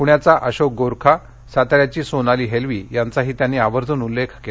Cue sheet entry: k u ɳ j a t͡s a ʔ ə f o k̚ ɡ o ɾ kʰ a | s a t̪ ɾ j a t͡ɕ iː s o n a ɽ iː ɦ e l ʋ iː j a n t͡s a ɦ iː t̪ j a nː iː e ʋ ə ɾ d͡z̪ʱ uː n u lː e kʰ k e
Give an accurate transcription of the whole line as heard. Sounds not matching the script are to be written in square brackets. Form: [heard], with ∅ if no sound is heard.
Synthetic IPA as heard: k u ɳ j a t͡s a ʔ ə [ɕ] o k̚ ɡ o ɾ kʰ a | s a t̪ ɾ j a t͡ɕ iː s o n a [l] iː ɦ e l ʋ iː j a n t͡s a ɦ iː t̪ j a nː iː [a] ʋ ə ɾ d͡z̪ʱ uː n u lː e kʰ k e